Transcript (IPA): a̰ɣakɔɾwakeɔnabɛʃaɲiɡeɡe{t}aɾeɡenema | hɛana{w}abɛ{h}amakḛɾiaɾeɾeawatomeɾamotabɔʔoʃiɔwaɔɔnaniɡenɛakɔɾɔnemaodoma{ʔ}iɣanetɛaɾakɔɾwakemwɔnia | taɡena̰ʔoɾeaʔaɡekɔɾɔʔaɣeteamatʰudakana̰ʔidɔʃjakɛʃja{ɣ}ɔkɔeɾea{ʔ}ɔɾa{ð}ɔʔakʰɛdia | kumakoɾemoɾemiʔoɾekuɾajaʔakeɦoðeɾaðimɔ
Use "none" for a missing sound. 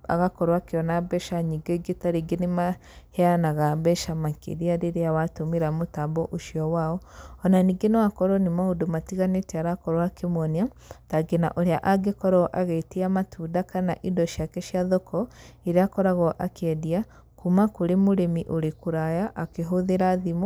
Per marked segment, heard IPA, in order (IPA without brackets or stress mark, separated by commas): t, ɣ, ʃ, t, ð, k, ɣ